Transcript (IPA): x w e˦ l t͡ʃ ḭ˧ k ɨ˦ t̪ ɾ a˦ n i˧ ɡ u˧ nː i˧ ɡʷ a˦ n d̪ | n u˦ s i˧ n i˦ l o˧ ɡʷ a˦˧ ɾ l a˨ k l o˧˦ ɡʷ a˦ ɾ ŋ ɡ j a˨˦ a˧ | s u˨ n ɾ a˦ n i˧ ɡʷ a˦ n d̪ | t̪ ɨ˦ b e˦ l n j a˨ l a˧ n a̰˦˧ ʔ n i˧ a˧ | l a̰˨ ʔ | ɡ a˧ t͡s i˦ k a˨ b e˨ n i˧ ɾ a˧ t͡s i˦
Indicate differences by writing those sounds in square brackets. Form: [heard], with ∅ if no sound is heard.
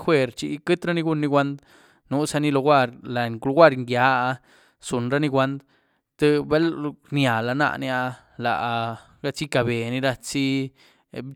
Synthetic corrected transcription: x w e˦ [ɾ] t͡ʃ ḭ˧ k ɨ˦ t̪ ɾ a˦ n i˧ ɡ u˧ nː i˧ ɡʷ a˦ n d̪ | n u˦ s [a˧] n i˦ l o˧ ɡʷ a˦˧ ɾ l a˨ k l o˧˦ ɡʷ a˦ ɾ ŋ ɡ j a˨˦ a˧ | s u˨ n ɾ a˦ n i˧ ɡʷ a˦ n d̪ | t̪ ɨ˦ b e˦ l n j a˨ l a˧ n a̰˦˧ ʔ n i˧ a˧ | l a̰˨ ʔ | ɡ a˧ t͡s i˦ k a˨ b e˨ n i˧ ɾ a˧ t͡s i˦

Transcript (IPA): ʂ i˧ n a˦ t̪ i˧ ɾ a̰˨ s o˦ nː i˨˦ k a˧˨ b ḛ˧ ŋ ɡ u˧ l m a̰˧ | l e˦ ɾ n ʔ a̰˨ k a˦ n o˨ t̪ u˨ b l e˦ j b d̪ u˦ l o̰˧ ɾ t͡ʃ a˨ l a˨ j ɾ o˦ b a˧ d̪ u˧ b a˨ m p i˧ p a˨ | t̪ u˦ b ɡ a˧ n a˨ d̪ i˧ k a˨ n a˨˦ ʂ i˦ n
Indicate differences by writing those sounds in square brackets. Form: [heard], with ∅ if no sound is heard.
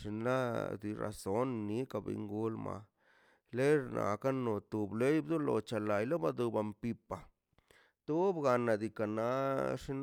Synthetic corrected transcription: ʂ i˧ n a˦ [d̪] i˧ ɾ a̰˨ s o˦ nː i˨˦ k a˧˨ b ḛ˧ ŋ ɡ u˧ l m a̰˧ | l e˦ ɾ n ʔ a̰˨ k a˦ n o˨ t̪ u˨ b l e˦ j b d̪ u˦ l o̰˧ [∅] t͡ʃ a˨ l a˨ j [l] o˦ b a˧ d̪ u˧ b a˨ m p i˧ p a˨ | t̪ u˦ b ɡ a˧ n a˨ d̪ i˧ k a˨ n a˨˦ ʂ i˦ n

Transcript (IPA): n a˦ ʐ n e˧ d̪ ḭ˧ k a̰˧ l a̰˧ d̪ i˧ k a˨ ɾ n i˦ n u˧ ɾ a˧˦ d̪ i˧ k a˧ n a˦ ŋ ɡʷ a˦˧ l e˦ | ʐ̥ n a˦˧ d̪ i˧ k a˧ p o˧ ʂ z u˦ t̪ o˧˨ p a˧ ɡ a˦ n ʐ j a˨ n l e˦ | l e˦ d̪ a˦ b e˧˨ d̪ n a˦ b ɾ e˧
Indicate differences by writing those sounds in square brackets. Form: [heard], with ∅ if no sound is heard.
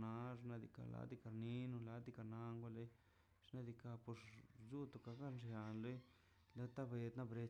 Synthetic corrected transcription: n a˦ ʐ n [a˧] d̪ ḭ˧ k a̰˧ l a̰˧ d̪ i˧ k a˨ ɾ n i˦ n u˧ [l] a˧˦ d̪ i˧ k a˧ n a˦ ŋ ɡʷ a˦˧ l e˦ | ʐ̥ n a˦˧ d̪ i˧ k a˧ p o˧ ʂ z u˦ t̪ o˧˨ [k] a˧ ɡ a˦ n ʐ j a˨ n l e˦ | l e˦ [t̪] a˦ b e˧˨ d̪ n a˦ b ɾ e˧

